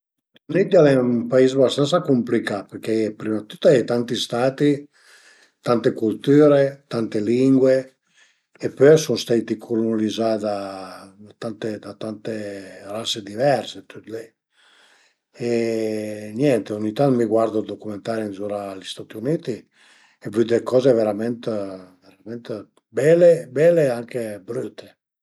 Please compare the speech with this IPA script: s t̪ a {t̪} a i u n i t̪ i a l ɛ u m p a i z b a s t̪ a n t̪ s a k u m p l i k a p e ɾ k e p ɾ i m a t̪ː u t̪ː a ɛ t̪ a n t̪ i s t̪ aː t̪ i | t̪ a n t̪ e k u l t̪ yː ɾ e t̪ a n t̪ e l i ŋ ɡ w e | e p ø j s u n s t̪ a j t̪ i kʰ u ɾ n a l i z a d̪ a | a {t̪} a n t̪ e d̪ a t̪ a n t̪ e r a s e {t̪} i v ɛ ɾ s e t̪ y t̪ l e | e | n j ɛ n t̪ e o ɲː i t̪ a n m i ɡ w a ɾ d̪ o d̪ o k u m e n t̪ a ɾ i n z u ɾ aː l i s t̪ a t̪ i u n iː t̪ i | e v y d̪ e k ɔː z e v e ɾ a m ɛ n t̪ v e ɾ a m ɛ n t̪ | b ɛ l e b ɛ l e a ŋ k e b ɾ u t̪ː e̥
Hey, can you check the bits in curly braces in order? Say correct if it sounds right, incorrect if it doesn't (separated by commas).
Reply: correct, correct, incorrect